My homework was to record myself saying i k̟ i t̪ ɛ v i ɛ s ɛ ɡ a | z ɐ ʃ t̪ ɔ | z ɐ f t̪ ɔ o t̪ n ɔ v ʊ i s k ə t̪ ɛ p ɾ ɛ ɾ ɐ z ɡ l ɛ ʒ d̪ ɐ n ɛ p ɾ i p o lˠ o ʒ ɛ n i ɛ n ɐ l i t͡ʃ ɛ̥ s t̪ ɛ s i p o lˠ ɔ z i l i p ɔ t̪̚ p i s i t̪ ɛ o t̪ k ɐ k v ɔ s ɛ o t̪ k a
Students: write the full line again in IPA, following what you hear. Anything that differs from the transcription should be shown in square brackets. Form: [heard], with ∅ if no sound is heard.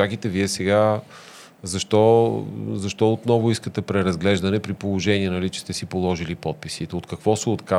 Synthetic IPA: [a] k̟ i t̪ ɛ v i ɛ s ɛ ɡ a | z ɐ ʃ t̪ ɔ | z ɐ [ʃ] t̪ ɔ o t̪ n ɔ v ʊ i s k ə t̪ ɛ p ɾ ɛ ɾ ɐ z ɡ l ɛ ʒ d̪ ɐ n ɛ p ɾ i p o lˠ o ʒ ɛ n i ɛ n ɐ l i t͡ʃ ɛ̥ s t̪ ɛ s i p o lˠ ɔ [ʒ] i l i p ɔ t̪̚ p i s i t̪ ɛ o t̪ k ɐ k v ɔ s ɛ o t̪ k a